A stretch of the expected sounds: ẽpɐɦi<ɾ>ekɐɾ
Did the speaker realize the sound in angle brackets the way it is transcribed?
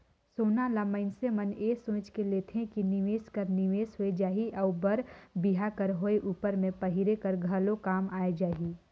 yes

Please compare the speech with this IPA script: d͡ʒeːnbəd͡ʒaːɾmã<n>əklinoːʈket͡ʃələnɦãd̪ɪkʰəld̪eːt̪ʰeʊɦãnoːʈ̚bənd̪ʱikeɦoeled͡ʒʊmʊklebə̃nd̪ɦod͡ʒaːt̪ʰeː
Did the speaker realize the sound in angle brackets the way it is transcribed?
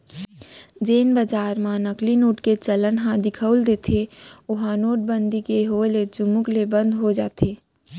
yes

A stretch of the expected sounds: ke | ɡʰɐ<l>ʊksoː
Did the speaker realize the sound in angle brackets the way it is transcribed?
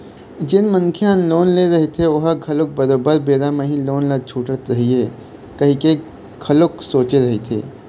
yes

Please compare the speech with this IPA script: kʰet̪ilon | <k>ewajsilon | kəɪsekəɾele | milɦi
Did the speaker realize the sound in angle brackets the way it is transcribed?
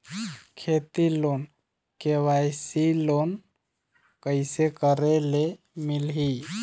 yes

